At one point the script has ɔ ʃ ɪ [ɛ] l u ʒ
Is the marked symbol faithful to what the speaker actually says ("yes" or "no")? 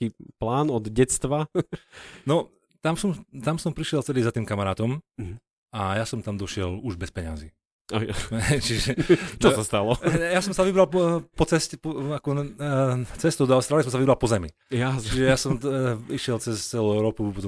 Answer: yes